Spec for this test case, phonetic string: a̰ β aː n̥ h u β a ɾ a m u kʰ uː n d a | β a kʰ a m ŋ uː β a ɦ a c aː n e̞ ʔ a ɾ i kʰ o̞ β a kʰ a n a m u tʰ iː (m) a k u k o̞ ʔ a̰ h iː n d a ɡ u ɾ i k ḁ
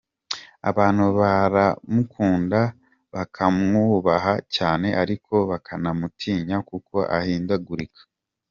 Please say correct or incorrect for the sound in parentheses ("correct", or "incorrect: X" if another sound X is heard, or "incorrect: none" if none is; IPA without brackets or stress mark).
incorrect: ɲ